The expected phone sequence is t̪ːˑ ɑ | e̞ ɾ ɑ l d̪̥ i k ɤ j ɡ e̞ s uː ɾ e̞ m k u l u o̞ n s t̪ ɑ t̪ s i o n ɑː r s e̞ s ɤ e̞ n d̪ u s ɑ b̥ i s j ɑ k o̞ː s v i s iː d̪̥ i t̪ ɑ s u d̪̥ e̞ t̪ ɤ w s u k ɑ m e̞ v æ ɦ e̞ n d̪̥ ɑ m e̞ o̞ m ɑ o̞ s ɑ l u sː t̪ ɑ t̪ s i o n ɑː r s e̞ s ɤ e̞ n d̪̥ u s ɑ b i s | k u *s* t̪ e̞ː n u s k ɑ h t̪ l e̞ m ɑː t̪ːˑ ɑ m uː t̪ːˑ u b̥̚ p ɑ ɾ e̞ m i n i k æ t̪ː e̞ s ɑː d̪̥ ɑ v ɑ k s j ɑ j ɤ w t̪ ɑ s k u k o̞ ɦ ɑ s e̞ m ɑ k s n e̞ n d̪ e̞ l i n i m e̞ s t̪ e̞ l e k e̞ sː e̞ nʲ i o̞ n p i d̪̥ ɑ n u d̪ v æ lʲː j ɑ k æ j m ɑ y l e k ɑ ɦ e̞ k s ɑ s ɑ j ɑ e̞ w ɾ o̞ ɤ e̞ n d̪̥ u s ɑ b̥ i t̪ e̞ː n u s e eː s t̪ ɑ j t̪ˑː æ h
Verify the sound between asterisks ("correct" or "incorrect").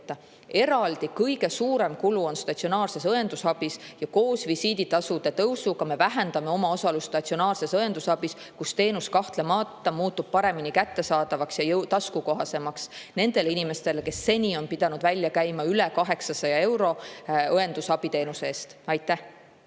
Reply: correct